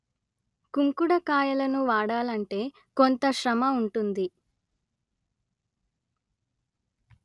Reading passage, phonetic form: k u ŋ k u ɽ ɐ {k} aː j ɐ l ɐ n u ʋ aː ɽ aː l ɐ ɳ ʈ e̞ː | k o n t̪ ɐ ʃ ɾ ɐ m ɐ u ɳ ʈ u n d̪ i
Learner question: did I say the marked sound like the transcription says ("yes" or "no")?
yes